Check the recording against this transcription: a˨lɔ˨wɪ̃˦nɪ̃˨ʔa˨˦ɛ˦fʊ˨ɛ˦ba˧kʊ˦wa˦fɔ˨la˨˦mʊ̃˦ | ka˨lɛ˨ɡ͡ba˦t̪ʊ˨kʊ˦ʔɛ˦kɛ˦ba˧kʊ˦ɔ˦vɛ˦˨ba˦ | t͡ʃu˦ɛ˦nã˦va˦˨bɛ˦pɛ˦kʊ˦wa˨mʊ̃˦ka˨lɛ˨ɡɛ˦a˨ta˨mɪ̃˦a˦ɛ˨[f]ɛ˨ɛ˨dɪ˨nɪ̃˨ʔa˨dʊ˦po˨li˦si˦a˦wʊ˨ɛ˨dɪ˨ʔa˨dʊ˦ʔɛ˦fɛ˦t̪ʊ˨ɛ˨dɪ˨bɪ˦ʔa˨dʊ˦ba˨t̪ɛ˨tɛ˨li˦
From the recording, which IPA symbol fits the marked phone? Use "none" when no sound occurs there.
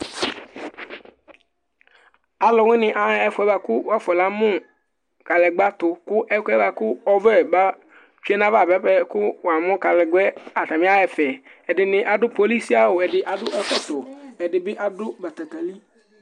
f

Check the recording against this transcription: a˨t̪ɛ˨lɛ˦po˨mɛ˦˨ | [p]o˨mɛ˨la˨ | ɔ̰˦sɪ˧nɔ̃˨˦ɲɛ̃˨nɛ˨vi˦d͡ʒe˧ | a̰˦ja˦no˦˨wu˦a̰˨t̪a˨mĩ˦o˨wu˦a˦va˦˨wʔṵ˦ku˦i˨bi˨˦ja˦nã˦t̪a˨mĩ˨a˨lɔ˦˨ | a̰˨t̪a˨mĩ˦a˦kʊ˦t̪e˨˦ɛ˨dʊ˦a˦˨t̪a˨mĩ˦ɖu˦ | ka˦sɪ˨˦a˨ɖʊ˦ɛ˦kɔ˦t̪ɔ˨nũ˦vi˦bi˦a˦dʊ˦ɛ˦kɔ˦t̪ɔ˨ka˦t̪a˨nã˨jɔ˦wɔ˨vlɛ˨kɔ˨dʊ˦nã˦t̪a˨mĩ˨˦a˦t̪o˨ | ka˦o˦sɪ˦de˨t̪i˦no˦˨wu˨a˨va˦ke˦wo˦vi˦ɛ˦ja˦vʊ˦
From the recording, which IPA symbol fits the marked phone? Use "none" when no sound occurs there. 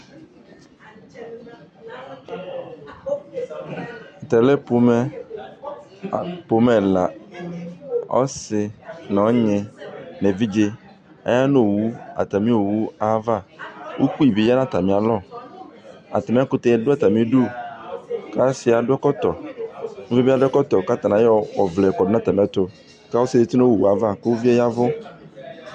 p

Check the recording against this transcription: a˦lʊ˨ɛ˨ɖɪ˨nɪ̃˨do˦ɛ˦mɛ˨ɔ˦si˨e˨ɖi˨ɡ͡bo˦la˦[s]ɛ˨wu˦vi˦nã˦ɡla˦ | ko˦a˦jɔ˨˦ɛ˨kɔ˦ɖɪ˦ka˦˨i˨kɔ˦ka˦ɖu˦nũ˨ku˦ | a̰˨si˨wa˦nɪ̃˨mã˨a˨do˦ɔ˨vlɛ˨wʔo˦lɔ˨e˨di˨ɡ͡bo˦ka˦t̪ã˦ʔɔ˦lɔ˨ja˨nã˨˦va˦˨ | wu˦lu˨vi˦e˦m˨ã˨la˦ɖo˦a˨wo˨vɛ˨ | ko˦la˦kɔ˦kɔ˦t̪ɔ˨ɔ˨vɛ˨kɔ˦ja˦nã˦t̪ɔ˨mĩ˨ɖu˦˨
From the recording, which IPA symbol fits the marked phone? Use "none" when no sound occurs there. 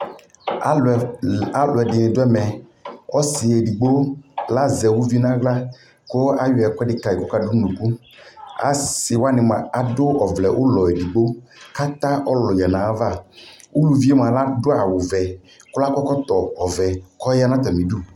z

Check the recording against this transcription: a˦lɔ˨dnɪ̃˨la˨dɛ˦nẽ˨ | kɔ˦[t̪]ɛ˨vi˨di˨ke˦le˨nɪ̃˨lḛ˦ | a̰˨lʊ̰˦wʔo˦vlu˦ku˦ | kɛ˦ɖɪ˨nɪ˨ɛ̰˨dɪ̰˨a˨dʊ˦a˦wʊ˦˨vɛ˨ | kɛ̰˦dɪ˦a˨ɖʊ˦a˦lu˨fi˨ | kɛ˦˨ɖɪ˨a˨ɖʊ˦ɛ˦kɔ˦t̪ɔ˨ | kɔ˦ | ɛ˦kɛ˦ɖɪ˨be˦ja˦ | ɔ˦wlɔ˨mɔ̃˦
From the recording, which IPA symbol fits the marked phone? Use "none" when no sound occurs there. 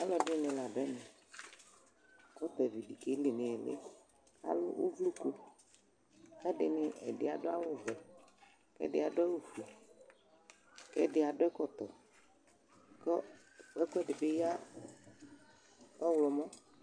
t̪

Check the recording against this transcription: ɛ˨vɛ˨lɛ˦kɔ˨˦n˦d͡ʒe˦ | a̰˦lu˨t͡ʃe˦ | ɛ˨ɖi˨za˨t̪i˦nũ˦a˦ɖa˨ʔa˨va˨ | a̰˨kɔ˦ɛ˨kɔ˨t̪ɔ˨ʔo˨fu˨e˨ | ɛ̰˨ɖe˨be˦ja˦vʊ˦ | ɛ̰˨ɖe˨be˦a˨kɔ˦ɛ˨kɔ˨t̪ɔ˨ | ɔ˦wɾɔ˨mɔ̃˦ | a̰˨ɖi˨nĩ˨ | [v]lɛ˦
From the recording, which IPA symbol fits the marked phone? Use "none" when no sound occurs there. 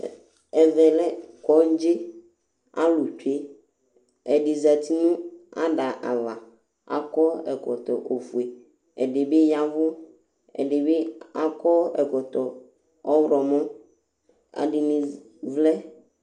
v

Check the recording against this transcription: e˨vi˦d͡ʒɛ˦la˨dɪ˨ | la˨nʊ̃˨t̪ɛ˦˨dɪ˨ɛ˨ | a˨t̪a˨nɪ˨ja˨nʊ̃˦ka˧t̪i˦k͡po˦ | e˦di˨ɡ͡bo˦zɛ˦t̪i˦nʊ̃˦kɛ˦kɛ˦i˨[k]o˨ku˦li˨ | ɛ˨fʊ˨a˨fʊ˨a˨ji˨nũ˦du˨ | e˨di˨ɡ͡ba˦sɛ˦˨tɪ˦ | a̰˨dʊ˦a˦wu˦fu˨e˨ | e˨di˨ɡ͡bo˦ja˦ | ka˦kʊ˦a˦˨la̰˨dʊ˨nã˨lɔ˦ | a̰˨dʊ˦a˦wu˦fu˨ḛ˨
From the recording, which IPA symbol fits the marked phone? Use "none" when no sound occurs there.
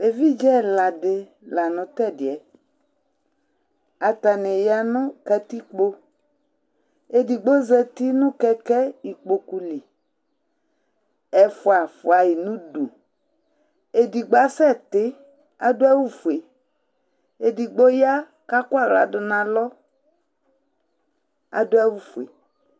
k͡p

